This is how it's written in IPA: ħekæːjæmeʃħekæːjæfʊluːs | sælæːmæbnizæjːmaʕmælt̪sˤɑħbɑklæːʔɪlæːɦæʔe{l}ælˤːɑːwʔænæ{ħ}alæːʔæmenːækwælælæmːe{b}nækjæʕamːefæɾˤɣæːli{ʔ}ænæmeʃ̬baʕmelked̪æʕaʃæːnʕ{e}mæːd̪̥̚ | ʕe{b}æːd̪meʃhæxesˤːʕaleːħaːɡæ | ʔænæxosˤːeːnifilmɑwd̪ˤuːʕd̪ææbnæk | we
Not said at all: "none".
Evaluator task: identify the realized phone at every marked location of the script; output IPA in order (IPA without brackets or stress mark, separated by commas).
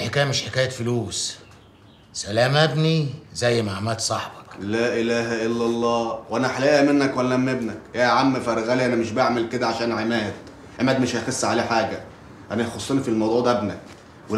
lː, ħ, b, ʔ, e, m